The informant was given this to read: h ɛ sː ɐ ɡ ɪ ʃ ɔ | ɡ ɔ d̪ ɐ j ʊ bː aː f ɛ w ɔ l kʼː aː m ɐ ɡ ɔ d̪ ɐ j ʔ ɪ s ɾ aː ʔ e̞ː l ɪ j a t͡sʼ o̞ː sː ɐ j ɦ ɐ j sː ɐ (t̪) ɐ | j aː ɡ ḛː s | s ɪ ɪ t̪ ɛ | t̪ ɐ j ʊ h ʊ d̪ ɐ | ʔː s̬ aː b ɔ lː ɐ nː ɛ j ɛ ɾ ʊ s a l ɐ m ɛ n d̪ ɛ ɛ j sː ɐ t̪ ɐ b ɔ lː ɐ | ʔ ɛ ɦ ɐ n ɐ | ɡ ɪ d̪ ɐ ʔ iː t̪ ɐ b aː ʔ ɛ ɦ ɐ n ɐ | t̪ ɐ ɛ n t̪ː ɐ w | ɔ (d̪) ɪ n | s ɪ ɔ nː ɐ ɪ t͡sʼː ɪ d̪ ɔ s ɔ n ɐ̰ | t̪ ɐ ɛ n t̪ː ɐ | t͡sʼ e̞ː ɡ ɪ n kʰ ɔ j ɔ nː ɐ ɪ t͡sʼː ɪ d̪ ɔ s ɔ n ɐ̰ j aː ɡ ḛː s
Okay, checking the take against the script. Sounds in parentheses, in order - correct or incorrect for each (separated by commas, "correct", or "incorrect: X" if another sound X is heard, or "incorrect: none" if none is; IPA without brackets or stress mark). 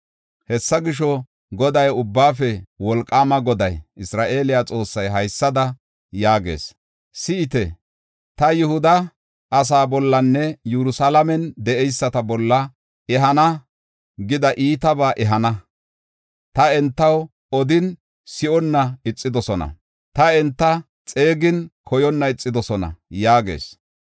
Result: incorrect: d̪, correct